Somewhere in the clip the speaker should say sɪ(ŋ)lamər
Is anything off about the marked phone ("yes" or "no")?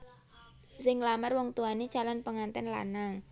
no